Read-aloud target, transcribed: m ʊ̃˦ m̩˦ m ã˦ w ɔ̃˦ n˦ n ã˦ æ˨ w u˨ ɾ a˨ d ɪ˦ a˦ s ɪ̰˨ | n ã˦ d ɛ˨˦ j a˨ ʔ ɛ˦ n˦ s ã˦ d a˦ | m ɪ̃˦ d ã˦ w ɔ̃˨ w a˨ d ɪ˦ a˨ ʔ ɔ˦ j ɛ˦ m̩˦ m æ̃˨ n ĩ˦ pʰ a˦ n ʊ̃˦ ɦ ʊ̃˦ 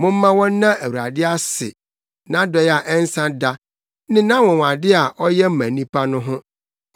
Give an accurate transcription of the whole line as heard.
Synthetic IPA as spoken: m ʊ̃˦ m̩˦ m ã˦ w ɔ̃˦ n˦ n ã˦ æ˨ w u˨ ɾ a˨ d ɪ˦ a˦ s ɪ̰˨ | n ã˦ d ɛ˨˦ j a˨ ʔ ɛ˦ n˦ s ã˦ d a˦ | n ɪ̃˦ n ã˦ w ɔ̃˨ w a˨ d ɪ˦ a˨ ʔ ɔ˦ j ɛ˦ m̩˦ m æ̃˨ n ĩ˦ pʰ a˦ n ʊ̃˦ ɦ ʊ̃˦

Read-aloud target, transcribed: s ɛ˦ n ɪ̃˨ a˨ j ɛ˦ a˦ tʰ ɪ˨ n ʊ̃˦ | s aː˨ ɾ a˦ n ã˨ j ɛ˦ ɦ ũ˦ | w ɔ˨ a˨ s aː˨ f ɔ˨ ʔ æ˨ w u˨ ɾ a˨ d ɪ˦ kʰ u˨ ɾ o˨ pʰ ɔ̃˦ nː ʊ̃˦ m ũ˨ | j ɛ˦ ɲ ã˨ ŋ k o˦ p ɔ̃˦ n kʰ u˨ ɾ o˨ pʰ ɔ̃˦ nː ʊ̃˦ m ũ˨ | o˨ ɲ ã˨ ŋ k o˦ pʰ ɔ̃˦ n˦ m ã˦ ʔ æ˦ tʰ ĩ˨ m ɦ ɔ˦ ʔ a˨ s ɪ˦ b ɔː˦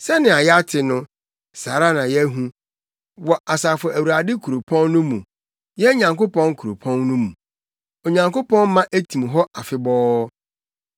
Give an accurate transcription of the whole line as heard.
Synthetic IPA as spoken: s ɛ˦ n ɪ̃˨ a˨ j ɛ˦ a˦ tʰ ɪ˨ n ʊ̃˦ | s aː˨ ɾ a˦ n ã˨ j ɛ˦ ɦ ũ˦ | w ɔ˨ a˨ s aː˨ f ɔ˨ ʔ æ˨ w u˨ ɾ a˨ d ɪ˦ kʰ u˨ ɾ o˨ pʰ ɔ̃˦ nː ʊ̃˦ m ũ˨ | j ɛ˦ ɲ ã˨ ŋ k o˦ p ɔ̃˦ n kʰ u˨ ɾ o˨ pʰ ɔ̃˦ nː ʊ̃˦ m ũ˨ | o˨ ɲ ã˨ ŋ k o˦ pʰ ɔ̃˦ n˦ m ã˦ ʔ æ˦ tʰ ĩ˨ m ɦ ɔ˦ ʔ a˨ f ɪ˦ b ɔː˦

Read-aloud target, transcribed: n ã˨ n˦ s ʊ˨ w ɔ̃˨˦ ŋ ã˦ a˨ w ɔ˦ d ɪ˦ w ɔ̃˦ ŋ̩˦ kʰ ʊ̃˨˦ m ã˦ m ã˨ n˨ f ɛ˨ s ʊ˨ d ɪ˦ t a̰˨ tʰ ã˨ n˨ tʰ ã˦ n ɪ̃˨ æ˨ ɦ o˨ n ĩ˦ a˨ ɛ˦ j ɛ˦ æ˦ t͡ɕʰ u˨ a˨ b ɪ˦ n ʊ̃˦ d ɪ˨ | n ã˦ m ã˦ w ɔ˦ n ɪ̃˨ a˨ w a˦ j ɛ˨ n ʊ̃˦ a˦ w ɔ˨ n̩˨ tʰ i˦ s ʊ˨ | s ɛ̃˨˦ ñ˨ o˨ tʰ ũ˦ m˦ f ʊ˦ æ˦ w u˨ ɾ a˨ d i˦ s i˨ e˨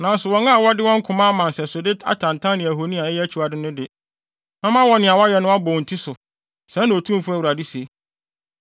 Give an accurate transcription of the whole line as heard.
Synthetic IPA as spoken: n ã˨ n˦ s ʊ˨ w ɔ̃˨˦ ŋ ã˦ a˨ w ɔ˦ d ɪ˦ w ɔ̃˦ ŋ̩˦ kʰ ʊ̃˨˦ m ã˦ m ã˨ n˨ s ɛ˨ s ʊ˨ d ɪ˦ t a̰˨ tʰ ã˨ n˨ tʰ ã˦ n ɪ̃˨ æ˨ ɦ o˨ n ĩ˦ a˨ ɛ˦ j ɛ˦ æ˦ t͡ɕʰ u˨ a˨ d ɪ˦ n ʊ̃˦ d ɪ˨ | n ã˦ m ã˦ w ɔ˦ n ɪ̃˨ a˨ w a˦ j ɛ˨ n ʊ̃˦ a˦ b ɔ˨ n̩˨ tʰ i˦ s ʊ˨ | s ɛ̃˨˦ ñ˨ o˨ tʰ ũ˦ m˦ f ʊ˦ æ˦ w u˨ ɾ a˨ d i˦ s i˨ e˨

